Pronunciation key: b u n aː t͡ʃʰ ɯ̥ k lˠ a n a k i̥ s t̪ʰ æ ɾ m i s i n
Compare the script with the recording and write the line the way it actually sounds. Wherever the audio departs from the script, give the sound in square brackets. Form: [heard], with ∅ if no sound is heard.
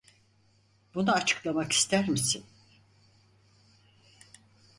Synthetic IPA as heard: b u n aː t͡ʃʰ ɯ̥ k lˠ a [m] a k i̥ s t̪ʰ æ ɾ m i s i n